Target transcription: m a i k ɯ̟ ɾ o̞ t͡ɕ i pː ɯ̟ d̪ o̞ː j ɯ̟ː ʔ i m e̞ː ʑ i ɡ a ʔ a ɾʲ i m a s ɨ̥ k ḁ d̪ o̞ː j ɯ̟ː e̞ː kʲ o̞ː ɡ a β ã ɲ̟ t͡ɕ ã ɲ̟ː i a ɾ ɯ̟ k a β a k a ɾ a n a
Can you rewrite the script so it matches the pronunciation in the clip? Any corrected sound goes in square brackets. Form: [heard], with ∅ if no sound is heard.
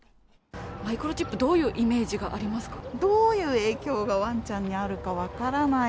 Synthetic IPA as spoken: m a i k ɯ̟ ɾ o̞ t͡ɕ i pː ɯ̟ d̪ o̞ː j ɯ̟ː ʔ i m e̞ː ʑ i ɡ a ʔ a ɾʲ i m a s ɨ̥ k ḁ d̪ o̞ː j ɯ̟ː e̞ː kʲ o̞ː ɡ a β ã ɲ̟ t͡ɕ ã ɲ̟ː i a ɾ ɯ̟ k a β a k a ɾ a n a